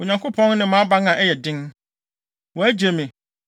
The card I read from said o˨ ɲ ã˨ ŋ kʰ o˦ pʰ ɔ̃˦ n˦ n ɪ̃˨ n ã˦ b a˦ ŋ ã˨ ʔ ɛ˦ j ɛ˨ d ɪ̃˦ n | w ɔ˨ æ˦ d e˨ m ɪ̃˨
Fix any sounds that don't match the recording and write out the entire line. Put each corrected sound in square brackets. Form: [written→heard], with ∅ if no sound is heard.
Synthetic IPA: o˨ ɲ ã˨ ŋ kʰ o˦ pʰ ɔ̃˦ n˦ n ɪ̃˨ [n→m] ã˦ b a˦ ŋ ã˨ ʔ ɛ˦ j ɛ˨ d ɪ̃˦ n | w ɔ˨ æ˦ [d→d͡ʑ] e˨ m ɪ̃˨

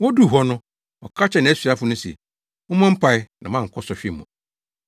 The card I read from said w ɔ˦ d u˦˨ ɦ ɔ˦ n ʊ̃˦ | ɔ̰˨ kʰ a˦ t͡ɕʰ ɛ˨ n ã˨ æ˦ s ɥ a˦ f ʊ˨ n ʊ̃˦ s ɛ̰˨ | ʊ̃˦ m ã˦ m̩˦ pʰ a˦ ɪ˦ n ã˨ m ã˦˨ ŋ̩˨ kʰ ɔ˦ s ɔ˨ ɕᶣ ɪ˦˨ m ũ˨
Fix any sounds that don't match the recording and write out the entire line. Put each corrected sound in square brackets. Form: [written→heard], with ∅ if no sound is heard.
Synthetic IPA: w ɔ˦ d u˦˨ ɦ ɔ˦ n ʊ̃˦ | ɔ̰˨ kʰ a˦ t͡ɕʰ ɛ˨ n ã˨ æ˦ s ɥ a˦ f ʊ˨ n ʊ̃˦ s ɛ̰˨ | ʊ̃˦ m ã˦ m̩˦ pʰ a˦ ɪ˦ n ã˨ m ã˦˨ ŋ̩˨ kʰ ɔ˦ s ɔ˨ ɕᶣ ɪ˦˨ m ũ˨

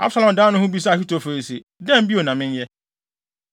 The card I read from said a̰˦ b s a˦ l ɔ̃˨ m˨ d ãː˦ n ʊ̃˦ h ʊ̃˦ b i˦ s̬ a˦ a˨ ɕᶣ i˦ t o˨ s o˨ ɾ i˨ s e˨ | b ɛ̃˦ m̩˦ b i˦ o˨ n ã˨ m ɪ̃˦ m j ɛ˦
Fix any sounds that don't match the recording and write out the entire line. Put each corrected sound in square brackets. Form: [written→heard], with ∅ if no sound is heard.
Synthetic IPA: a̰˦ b s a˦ l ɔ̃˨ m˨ d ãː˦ n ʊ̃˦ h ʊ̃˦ b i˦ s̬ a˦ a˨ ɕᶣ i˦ t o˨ [s→f] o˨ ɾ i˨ s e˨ | [b→d] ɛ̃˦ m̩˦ b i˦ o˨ n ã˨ m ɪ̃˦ [m→n] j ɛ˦

